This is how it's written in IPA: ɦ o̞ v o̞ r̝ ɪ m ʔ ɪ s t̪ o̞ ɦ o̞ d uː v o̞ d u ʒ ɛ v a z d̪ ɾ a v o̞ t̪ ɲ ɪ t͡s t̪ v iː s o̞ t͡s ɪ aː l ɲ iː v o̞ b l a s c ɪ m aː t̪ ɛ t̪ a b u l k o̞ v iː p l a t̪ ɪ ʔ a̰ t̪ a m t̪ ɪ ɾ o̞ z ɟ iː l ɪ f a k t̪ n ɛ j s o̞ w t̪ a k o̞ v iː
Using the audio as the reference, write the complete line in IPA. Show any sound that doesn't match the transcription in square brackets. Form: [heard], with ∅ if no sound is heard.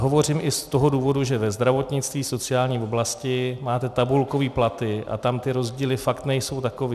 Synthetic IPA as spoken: ɦ o̞ v o̞ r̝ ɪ m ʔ ɪ s t̪ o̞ ɦ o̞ d uː v o̞ d u ʒ ɛ v [ɛ] z d̪ ɾ a v o̞ t̪ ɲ ɪ t͡s t̪ v iː s o̞ t͡s ɪ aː l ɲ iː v o̞ b l a s c ɪ m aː t̪ ɛ t̪ a b u l k o̞ v iː p l a t̪ ɪ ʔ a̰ t̪ a m t̪ ɪ ɾ o̞ z ɟ iː l ɪ f a k t̪ n ɛ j s o̞ w t̪ a k o̞ v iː